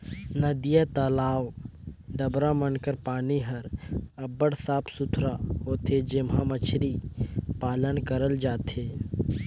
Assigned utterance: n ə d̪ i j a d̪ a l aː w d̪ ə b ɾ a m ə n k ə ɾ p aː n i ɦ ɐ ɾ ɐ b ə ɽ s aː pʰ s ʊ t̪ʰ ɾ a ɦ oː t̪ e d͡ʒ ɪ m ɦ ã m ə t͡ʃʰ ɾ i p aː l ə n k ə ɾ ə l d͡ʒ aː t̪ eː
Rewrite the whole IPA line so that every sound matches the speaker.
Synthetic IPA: n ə d̪ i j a t̪ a l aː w d̪ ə b ɾ a m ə n k ə ɾ p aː n i ɦ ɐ ɾ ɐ b ə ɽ s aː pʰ s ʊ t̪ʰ ɾ a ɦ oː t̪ e d͡ʒ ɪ m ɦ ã m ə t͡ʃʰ ɾ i p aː l ə n k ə ɾ ə l d͡ʒ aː t̪ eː